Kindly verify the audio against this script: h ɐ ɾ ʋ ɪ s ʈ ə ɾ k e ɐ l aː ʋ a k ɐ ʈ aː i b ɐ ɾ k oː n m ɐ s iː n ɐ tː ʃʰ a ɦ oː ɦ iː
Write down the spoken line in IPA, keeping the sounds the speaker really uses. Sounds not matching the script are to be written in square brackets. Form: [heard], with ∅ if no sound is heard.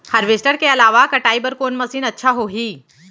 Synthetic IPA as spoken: h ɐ ɾ ʋ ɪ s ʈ ə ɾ k e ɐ l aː ʋ a k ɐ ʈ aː i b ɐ ɾ k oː n m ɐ s iː n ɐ tː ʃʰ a ɦ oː ɦ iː